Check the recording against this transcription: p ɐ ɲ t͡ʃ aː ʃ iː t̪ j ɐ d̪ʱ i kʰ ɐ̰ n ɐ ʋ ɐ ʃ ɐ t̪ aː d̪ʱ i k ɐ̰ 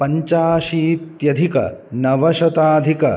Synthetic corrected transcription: p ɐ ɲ t͡ʃ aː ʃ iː t̪ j ɐ d̪ʱ i k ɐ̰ n ɐ ʋ ɐ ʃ ɐ t̪ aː d̪ʱ i k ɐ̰